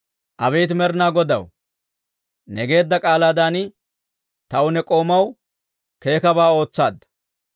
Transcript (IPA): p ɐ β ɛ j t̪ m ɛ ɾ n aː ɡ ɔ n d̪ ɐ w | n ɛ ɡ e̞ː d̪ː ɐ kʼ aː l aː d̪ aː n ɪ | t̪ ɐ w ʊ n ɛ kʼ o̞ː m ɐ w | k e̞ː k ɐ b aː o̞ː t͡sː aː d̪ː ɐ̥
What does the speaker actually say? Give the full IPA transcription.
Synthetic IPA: ʔ ɐ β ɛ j t̪ m ɛ ɾ n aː ɡ ɔ d̪ ɐ w | n ɛ ɡ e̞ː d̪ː ɐ kʼ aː l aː d̪ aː n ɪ | t̪ ɐ w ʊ n ɛ kʼ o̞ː m ɐ w | k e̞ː k ɐ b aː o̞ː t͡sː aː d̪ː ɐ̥